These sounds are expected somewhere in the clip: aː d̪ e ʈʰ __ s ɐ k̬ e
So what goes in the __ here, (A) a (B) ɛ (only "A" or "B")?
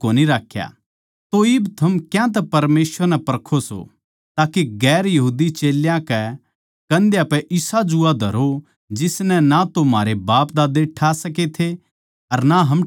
A